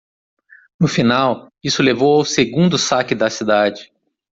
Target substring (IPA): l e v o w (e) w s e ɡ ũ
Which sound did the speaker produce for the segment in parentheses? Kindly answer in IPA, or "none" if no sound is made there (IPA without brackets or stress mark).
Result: a